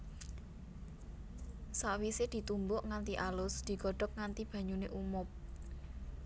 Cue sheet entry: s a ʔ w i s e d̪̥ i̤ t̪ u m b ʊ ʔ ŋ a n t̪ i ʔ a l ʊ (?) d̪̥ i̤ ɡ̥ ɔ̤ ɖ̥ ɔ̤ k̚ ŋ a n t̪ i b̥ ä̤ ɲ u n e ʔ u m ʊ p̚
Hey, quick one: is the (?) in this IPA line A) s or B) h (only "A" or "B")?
A